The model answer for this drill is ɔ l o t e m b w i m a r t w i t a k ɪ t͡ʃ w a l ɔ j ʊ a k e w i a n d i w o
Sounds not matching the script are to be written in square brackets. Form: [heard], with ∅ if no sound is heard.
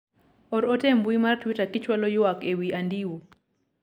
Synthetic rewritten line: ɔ [ɾ] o t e m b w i m a r t w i t a k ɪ t͡ʃ w a l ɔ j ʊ a k e w i a n d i w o